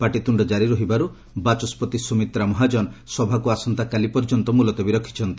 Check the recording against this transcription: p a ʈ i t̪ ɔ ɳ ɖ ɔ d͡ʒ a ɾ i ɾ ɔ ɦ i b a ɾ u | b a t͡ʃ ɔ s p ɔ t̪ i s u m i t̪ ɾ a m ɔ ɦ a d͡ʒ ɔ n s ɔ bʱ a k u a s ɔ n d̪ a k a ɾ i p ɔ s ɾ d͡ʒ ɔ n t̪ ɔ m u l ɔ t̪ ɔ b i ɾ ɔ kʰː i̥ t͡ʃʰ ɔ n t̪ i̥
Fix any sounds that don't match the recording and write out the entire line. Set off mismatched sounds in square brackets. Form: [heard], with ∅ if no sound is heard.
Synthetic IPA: p a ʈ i t̪ [u] ɳ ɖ ɔ d͡ʒ a ɾ i ɾ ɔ ɦ i b a ɾ u | b a t͡ʃ ɔ s p ɔ t̪ i s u m i t̪ ɾ a m ɔ ɦ a d͡ʒ ɔ n s ɔ bʱ a k u a s ɔ n [t̪] a k a [l] i p ɔ [∅] ɾ d͡ʒ ɔ n t̪ ɔ m u l ɔ t̪ ɔ b i ɾ ɔ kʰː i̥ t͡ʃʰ ɔ n t̪ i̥